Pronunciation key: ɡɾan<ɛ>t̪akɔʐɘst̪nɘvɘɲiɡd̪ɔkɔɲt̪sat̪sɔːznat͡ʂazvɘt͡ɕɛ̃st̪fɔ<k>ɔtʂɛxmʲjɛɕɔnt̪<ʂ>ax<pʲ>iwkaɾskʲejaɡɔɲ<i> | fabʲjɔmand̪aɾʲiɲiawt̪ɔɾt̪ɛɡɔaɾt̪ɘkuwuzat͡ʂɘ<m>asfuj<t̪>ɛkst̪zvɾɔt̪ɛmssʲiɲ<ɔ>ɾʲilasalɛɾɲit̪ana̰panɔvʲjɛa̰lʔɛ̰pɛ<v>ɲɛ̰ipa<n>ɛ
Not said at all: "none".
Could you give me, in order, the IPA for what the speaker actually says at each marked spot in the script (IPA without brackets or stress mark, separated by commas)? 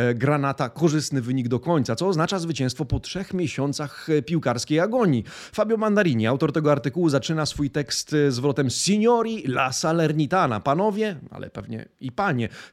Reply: a, p, s, pʲ, i, n, t̪, ɔ, v, ɲ